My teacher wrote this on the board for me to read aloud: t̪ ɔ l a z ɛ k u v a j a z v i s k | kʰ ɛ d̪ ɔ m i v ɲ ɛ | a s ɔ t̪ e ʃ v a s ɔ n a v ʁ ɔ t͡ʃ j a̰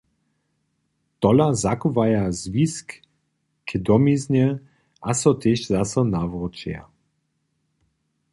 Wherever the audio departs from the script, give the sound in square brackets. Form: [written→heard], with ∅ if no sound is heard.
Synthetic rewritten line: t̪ ɔ l a z [ɛ→a] k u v a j a z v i s k | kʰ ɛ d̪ ɔ m i [v→z] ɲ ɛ | a s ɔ t̪ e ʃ [v→z] a s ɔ n a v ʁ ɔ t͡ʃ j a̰

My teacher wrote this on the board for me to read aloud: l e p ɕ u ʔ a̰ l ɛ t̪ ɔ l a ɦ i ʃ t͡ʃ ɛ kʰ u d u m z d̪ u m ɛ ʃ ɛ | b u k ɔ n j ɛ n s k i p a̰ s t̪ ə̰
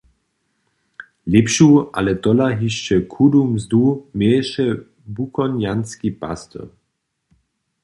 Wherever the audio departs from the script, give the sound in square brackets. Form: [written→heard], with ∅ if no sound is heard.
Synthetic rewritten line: l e p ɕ u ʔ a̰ l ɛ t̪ ɔ l a ɦ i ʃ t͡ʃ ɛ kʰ u d u m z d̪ u m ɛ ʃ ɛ | b u k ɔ n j [ɛ→a] n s k i p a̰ s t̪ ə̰

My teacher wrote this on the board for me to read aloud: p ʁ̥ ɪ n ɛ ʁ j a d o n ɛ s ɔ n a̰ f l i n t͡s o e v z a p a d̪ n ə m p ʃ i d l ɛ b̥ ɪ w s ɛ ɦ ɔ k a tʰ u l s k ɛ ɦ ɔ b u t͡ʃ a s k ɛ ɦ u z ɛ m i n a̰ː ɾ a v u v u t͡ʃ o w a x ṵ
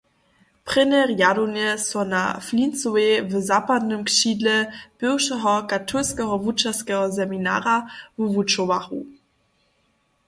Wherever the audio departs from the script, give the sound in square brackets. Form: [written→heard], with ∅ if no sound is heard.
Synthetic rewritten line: p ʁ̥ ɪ n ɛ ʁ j a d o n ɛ s ɔ n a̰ f l i n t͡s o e v z a p a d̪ n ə m [p→k] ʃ i d l ɛ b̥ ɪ w [s→ʃ] ɛ ɦ ɔ k a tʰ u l s k ɛ ɦ ɔ [b→v] u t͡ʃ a s k ɛ ɦ [u→ɔ] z ɛ m i n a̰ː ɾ a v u v u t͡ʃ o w a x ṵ

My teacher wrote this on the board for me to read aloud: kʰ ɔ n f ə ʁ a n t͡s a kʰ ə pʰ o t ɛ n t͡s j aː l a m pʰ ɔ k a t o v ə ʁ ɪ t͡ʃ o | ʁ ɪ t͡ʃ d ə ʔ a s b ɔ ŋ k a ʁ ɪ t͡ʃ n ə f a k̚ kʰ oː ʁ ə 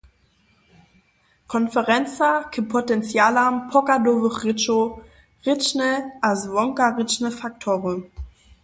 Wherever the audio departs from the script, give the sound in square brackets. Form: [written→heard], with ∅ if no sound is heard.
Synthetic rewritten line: kʰ ɔ n f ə ʁ [a→ɛ] n t͡s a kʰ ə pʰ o t ɛ n t͡s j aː l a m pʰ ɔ k a [t→d] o v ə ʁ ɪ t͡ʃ o | ʁ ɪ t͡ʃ [d→n] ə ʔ a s [b→v] ɔ ŋ k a ʁ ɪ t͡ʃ n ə f a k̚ [kʰ→tʰ] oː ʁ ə

